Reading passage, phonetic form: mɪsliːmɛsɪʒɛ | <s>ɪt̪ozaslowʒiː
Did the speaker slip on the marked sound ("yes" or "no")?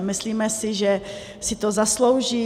no